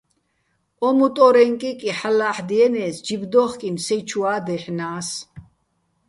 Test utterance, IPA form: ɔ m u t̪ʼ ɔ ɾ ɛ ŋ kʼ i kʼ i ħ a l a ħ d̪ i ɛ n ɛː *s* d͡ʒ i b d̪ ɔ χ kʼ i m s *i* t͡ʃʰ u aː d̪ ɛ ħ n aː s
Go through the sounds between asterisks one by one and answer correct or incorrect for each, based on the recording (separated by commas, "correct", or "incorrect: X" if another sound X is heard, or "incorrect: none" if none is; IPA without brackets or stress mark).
correct, incorrect: ɛ